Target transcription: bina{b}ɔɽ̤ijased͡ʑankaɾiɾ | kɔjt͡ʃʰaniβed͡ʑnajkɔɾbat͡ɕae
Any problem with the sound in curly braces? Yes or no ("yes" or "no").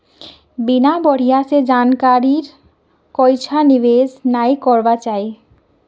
no